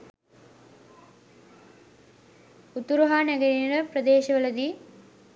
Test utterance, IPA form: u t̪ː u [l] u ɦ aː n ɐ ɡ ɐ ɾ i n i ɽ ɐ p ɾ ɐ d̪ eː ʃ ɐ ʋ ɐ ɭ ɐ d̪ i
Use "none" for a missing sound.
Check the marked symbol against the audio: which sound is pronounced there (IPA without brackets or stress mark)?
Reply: ɾ